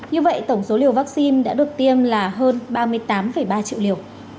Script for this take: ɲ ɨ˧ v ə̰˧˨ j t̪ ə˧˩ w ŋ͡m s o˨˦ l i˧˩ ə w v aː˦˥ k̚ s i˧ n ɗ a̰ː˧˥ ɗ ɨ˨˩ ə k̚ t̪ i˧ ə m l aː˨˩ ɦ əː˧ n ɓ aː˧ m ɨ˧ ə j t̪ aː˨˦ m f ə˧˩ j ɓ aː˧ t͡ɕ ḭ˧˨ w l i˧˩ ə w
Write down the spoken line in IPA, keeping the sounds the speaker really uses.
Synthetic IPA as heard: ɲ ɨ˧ v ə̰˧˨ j t̪ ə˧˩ w ŋ͡m s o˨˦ l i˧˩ ə w v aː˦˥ k̚ s i˧ n ɗ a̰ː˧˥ ɗ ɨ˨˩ ə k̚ t̪ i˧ ə m l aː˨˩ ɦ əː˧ n ɓ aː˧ m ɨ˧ ə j t̪ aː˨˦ m f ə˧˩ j ɓ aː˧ t͡ɕ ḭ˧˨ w l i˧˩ ə w